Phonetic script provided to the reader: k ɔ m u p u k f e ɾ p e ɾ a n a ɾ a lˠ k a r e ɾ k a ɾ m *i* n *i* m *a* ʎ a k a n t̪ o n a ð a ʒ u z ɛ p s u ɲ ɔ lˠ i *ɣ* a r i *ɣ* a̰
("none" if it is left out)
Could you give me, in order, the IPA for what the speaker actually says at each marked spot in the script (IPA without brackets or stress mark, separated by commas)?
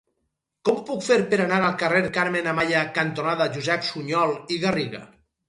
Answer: e, a, a, ɣ, ɣ